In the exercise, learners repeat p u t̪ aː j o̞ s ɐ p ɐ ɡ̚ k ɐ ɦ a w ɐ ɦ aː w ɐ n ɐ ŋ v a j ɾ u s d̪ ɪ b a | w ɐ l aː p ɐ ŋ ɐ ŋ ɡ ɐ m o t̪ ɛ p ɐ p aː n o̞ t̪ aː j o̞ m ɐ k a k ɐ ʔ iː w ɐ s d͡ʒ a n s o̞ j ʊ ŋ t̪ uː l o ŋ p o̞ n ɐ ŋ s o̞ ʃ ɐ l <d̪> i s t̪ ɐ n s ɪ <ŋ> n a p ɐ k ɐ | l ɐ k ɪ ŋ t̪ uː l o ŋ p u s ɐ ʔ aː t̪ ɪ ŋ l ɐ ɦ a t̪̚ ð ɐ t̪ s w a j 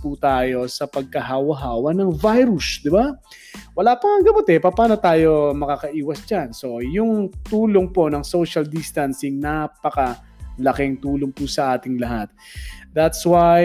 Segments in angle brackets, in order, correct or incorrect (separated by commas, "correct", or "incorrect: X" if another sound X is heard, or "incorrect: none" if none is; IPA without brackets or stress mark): correct, correct